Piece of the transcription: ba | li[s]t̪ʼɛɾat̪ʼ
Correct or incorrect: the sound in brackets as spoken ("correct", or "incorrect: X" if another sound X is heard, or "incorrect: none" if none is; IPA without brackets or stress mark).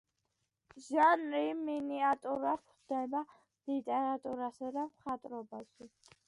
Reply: incorrect: none